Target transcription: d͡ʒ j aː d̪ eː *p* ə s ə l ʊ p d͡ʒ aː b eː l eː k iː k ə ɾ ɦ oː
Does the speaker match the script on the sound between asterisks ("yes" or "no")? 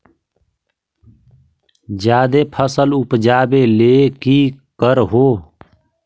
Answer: no